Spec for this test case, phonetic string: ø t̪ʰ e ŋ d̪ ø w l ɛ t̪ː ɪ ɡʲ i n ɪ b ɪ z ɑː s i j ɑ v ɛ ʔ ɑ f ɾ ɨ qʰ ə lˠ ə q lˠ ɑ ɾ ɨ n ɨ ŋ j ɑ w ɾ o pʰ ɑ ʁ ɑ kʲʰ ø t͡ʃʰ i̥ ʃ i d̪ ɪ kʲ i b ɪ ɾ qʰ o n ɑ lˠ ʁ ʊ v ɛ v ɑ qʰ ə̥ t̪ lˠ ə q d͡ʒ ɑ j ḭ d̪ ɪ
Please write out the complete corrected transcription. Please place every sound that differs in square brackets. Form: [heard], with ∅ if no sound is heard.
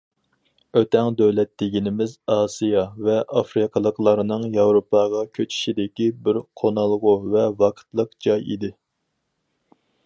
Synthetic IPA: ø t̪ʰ [ɛ] ŋ d̪ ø w l ɛ t̪ː ɪ ɡʲ i n ɪ [m] ɪ z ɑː s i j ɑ v ɛ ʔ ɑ f ɾ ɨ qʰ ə lˠ ə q lˠ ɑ ɾ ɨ n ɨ ŋ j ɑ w ɾ o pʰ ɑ ʁ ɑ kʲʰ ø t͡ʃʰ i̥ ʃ i d̪ ɪ kʲ i b ɪ ɾ qʰ o n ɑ lˠ ʁ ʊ v ɛ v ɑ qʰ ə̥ t̪ lˠ ə q d͡ʒ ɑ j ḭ d̪ ɪ